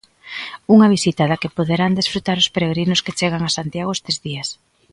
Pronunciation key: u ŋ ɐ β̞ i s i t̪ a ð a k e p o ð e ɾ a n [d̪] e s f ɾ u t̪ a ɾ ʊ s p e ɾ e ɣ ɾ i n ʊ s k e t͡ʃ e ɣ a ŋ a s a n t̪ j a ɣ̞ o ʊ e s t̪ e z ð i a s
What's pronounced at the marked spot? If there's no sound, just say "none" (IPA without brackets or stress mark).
d̪